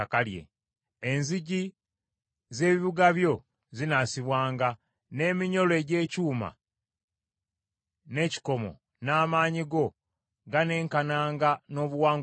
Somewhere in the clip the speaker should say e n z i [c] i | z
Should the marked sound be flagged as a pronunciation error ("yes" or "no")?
yes